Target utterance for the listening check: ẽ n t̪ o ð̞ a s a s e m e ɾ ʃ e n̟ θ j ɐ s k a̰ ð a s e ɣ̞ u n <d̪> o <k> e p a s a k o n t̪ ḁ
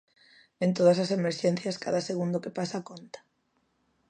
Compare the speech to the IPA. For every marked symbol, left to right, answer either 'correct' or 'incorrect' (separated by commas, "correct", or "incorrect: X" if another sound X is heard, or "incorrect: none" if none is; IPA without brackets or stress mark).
correct, correct